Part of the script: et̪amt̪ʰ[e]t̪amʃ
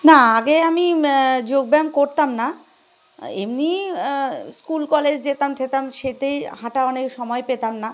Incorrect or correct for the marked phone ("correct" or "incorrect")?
correct